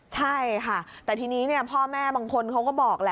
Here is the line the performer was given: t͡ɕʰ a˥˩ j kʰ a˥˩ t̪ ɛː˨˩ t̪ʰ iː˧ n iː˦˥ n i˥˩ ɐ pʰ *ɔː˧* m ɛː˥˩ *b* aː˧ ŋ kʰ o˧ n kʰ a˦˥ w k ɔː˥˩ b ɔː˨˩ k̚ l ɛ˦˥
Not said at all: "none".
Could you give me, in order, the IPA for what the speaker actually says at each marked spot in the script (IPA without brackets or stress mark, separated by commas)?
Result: ɔː˥˩, b